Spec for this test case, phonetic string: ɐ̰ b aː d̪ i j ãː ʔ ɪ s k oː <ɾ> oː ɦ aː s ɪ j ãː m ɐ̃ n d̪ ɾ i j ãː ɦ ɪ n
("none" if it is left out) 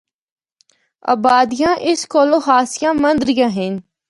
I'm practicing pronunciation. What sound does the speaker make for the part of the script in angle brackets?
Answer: l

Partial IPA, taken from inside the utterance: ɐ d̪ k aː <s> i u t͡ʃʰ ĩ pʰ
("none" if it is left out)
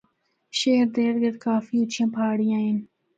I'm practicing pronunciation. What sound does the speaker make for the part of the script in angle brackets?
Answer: f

